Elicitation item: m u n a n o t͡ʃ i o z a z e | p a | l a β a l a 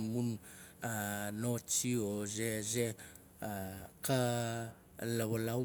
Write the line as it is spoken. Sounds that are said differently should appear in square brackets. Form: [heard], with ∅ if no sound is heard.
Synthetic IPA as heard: m u n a n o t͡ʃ i o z [e] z e | [k] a | l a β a l a